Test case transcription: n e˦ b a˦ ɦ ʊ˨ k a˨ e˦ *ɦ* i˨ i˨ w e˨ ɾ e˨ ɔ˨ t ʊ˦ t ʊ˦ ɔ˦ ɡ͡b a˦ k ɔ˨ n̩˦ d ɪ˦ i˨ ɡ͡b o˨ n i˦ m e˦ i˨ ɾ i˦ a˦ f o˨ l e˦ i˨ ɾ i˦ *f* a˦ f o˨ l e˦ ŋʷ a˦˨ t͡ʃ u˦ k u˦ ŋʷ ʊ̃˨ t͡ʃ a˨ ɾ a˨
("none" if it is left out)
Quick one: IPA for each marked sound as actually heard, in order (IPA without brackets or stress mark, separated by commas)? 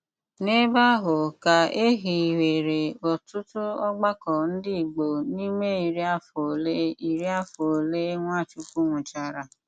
ɦ, none